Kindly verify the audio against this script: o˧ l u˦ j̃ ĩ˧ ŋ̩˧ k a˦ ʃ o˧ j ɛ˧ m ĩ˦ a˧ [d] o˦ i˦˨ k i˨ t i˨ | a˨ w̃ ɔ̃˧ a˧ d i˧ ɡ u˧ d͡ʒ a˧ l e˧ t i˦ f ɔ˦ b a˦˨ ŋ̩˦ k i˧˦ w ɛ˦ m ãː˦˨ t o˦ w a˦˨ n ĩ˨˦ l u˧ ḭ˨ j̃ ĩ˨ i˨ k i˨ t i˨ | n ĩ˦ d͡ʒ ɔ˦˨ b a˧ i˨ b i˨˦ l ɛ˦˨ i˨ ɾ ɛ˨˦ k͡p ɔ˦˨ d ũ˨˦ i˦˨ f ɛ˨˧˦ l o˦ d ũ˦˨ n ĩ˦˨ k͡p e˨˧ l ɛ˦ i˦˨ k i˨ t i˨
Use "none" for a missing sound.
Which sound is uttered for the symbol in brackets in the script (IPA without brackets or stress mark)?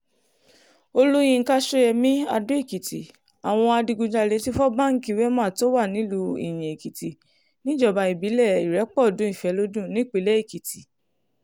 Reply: d